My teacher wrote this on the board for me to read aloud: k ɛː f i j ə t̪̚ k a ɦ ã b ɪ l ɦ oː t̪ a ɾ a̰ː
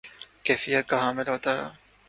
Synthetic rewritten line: k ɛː f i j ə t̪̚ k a ɦ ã m ɪ l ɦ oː t̪ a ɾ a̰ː